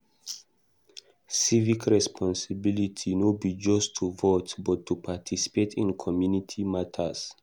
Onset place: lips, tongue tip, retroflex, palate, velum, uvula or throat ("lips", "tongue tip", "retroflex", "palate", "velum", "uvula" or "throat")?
tongue tip